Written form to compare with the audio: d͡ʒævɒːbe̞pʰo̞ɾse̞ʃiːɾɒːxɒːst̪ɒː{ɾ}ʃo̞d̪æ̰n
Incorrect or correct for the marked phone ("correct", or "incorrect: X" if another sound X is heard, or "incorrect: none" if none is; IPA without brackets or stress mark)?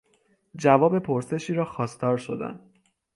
correct